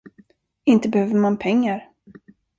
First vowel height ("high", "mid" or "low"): high